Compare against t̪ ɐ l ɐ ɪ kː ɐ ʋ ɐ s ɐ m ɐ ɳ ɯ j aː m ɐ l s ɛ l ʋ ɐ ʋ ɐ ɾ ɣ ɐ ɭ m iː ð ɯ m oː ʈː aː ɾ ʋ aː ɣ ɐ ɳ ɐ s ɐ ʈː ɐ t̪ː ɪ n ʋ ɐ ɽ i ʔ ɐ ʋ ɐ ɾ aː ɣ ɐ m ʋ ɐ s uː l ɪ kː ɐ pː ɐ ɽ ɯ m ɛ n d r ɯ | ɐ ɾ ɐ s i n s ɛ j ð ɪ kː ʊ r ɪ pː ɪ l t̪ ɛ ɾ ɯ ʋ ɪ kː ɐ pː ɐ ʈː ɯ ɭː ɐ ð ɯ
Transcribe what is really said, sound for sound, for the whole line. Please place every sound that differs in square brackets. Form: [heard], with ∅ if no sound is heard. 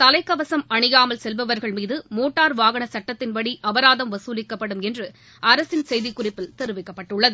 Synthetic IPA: t̪ ɐ l ɐ ɪ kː ɐ ʋ ɐ s ɐ m ɐ ɳ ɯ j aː m ɐ l s ɛ l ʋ ɐ ʋ ɐ ɾ ɣ ɐ ɭ m iː ð ɯ m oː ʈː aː ɾ ʋ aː ɣ ɐ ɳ ɐ s ɐ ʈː ɐ t̪ː ɪ n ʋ ɐ ɽ i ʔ ɐ ʋ ɐ ɾ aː [ð] ɐ m ʋ ɐ s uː l ɪ kː ɐ pː ɐ ɽ ɯ m ɛ n d r ɯ | ɐ ɾ ɐ s [ɪ] n s ɛ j ð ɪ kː ʊ r ɪ pː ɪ l t̪ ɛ ɾ ɯ ʋ ɪ kː ɐ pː ɐ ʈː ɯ ɭː ɐ ð ɯ